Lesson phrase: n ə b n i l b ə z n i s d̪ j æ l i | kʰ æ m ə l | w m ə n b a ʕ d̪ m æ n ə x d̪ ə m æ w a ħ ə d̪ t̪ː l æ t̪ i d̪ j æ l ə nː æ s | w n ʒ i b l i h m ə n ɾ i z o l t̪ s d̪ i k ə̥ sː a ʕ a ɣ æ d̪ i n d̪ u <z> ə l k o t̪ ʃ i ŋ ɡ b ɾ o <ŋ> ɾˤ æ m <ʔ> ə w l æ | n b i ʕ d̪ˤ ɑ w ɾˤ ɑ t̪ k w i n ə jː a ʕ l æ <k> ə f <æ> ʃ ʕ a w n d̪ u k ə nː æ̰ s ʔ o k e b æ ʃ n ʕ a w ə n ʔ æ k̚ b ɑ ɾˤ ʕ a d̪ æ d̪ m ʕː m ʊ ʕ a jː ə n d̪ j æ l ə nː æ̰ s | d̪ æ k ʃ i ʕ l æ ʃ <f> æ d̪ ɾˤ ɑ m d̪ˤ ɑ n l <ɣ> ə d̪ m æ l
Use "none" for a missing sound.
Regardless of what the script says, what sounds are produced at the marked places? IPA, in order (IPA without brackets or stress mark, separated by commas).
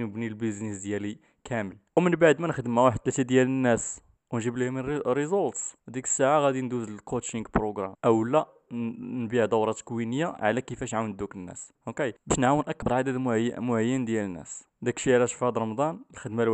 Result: z, ɡ, ʔ, k, æ, f, x